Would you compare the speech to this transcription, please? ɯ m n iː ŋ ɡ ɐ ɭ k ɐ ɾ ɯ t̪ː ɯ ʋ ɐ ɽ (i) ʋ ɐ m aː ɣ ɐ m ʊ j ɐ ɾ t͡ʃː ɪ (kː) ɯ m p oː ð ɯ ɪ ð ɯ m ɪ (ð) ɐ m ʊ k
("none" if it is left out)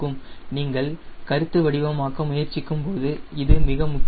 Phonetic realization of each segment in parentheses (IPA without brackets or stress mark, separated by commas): ɪ, kː, ɣ